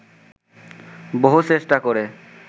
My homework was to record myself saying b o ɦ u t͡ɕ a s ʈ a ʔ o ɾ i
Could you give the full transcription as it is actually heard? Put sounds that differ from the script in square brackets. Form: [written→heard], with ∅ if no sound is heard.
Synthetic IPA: b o ɦ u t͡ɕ [a→e] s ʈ a [ʔ→k] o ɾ [i→e]